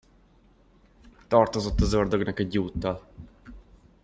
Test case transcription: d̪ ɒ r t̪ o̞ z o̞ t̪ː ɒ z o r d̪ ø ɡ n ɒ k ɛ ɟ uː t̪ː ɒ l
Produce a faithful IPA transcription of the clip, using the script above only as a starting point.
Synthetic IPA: t̪ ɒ r t̪ o̞ z o̞ t̪ː ɒ z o r d̪ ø ɡ n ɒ k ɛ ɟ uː t̪ː ɒ l